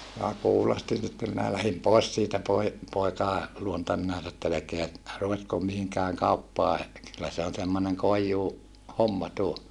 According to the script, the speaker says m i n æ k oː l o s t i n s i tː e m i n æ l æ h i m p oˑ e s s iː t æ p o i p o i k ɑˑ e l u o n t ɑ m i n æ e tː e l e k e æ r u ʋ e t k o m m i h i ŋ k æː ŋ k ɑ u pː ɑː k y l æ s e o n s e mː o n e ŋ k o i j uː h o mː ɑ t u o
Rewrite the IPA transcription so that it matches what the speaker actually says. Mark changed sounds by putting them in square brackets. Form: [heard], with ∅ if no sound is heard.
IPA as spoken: m i n æ k [uː] l o s t i n s i tː e m i n æ l æ h i m p oˑ e s s iː t æ p o i p o i k ɑˑ e l u o n t ɑ m i n æ e tː e l e k e æ r u ʋ e t k o m m i h i ŋ k æː ŋ k ɑ u pː ɑː k y [lː] æ s e o n s e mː o n e ŋ k o i [jː] uː h o mː ɑ t u o